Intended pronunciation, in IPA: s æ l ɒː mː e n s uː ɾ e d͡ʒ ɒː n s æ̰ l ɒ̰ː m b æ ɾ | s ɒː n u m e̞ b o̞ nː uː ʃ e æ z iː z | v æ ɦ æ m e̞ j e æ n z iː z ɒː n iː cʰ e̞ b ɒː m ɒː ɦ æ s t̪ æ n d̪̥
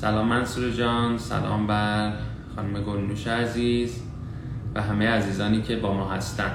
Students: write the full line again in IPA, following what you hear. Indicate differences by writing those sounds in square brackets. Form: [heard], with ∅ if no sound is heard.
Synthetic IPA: s æ l ɒː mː [æ] n s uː ɾ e d͡ʒ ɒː n s æ̰ l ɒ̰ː m b æ ɾ | [x] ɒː n u m e̞ [ɡ] o̞ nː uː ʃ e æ z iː z | v æ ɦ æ m e̞ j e æ [∅] z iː z ɒː n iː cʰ e̞ b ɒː m ɒː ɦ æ s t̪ æ n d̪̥